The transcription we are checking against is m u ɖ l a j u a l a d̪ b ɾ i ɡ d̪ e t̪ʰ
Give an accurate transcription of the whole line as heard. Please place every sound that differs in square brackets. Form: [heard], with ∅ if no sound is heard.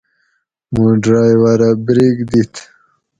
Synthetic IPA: m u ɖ [ɾ] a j [w] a [ɾ] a [∅] b ɾ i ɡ d̪ [i] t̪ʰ